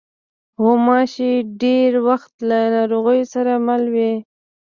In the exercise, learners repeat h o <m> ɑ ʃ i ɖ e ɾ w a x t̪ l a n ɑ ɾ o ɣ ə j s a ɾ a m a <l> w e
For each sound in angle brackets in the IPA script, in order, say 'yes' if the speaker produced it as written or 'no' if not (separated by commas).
yes, yes